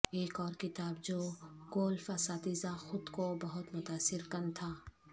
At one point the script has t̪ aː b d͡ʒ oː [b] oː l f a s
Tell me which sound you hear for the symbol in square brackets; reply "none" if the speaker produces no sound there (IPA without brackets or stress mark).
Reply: ɡ